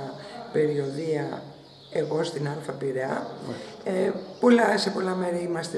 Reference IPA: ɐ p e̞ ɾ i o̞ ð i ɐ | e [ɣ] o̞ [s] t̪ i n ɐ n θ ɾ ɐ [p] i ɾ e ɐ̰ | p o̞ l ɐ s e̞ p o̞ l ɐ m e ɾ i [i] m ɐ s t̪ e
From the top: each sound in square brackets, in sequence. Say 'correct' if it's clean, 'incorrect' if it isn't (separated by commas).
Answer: correct, correct, correct, correct